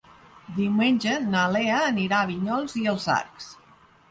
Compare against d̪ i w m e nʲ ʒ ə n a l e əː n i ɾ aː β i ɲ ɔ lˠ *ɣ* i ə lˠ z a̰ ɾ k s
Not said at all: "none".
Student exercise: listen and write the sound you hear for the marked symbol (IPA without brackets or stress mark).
z